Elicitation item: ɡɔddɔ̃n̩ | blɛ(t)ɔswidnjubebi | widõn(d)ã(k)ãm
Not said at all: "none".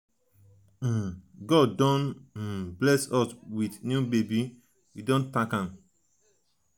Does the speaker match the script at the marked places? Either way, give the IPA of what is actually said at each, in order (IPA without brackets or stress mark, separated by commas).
s, t, k